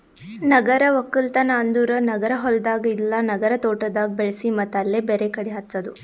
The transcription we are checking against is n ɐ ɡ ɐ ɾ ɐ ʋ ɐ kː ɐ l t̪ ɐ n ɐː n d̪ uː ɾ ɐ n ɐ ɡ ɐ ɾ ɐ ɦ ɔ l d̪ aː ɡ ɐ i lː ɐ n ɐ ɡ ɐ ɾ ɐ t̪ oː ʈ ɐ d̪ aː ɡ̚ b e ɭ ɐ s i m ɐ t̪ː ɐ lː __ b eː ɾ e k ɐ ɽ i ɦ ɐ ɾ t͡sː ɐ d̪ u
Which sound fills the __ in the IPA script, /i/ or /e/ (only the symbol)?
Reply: e